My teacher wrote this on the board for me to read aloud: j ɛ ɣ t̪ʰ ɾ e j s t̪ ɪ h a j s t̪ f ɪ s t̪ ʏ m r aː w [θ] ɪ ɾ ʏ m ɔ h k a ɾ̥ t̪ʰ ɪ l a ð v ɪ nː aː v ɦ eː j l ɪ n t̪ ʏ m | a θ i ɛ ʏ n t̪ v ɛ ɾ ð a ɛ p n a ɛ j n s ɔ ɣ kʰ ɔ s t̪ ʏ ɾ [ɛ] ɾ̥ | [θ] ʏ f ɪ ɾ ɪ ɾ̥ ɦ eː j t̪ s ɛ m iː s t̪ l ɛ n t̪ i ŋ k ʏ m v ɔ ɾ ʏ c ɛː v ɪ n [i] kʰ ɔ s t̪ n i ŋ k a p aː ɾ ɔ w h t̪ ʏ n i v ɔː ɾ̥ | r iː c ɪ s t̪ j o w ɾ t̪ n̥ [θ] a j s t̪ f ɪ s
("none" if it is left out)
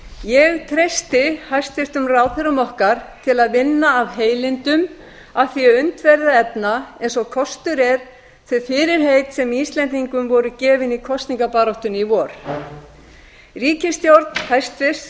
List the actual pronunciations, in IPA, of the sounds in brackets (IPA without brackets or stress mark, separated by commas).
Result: θ, ɛ, θ, i, h